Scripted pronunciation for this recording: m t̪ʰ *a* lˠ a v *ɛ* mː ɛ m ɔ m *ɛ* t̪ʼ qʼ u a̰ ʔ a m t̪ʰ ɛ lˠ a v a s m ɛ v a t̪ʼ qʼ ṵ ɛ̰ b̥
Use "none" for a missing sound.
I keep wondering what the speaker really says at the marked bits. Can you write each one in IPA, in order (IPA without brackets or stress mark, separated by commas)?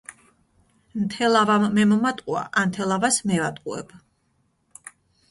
ɛ, a, a